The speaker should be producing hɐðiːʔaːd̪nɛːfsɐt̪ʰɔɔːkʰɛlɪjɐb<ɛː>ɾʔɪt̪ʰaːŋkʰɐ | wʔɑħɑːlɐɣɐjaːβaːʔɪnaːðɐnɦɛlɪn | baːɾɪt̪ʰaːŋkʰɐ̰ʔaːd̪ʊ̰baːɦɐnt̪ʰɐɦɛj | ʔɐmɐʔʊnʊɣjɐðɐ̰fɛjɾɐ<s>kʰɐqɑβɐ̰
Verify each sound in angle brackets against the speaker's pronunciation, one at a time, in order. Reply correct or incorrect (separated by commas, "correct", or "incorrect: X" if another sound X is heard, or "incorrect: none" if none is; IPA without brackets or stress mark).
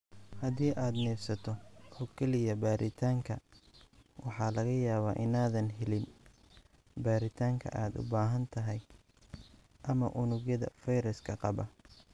incorrect: aː, correct